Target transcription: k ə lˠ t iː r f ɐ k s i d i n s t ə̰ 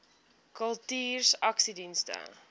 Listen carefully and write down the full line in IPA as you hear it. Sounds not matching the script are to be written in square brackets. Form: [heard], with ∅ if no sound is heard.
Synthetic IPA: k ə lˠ t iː r [s] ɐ k s i d i n s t ə̰